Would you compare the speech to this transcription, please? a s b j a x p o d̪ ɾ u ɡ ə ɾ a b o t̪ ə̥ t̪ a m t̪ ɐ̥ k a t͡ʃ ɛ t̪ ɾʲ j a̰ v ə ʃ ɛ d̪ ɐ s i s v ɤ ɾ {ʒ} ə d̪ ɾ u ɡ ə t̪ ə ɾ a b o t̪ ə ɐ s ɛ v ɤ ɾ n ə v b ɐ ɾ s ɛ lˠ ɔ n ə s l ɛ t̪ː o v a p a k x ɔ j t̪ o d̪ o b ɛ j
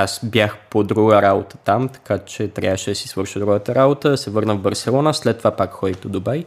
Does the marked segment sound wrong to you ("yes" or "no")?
yes